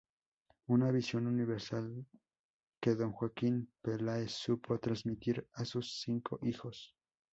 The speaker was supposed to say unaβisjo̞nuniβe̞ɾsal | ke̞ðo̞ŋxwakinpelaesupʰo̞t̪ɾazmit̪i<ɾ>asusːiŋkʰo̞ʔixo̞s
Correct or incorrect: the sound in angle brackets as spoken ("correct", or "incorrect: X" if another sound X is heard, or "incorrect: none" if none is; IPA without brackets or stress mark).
correct